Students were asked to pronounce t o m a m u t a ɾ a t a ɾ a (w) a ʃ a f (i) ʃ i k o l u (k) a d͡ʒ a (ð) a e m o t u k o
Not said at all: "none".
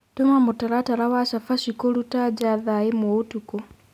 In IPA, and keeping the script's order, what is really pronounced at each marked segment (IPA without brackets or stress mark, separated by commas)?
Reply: w, a, t, ð